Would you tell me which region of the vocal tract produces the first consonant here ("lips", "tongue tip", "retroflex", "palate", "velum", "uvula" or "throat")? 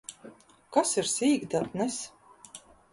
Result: velum